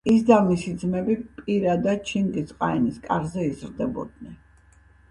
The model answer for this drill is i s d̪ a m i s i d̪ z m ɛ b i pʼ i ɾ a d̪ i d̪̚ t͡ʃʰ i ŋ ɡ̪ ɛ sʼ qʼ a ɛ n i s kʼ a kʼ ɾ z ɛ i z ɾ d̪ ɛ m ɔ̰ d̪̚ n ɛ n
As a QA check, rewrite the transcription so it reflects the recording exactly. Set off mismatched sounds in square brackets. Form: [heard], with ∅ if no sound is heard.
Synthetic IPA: i s d̪ a m i s i d̪ z m ɛ b i pʼ i ɾ a d̪ [a] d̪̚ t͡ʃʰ i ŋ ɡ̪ [i] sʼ qʼ a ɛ n i s kʼ a [∅] ɾ z ɛ i z ɾ d̪ ɛ [b] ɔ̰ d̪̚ n ɛ n